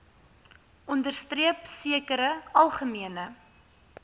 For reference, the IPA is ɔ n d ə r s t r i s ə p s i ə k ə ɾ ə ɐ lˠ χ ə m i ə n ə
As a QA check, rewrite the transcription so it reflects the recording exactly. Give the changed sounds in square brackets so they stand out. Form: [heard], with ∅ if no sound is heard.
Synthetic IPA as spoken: ɔ n d ə r s t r i [∅] ə p s i ə k ə ɾ ə ɐ lˠ χ ə m i ə n ə